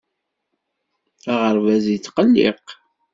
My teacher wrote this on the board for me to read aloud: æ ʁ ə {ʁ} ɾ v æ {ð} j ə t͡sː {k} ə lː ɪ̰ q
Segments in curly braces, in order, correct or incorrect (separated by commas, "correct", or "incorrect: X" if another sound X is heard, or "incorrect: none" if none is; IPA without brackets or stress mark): incorrect: none, incorrect: z, incorrect: q